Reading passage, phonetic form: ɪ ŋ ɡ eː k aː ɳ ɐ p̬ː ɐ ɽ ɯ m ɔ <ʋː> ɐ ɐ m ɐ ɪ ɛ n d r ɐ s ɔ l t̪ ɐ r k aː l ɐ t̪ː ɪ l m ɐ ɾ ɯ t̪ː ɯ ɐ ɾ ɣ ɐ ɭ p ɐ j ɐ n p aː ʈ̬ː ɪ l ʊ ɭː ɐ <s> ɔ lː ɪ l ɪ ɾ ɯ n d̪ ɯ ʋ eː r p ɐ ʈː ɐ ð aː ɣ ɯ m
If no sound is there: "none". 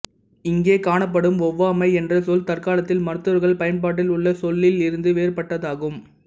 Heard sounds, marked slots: ʋː, s

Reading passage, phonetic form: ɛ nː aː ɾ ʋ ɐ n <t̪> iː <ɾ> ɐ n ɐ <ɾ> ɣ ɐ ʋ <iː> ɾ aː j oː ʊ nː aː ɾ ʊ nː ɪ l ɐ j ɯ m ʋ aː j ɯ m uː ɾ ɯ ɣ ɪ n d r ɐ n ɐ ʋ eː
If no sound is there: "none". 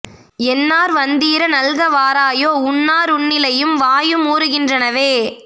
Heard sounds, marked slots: d̪, ɾ, l, aː

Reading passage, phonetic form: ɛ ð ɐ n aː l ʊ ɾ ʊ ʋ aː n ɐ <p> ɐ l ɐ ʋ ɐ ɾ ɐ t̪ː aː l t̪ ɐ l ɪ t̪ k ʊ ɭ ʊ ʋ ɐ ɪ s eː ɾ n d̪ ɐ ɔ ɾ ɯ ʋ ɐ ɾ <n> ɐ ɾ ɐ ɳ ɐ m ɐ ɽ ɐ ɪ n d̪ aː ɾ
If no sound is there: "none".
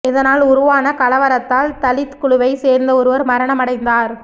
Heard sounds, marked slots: k, m

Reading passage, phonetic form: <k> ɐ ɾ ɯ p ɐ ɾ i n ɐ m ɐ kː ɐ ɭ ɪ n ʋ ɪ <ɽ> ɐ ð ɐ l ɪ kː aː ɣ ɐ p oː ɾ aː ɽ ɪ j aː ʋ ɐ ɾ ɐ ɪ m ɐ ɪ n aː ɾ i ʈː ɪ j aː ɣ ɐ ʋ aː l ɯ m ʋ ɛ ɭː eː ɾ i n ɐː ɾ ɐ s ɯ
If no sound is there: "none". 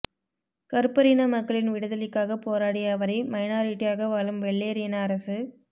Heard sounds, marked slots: k, ɽ

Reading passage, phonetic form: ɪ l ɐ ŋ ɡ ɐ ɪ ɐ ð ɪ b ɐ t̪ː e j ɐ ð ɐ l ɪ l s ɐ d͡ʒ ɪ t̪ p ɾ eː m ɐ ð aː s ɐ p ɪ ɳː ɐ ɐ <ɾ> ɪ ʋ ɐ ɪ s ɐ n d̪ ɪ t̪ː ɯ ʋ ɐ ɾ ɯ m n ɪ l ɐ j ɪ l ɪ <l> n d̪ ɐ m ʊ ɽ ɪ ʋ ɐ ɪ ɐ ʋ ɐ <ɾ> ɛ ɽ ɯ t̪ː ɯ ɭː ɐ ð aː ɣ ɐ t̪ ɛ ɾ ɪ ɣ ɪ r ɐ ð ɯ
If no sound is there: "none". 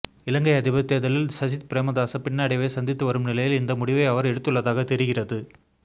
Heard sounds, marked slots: ɽ, none, ɾ

